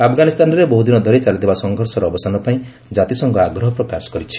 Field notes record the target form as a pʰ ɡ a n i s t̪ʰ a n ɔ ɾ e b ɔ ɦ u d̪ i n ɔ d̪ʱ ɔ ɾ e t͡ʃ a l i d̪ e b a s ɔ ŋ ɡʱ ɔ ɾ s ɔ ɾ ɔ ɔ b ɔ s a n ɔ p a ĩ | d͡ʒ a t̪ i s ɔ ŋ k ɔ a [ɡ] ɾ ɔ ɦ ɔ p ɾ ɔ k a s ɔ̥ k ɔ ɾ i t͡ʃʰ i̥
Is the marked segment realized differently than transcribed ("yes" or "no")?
no